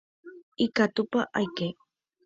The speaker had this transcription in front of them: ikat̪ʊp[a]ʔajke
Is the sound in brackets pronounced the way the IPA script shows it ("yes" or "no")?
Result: yes